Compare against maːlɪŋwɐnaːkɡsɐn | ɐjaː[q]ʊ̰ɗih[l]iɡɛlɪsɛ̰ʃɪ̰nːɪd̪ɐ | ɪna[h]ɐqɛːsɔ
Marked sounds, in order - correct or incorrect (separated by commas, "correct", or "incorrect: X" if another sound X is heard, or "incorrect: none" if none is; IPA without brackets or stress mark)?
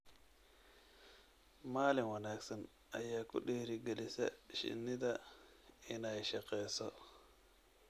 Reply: incorrect: k, incorrect: ɾ, incorrect: ʃ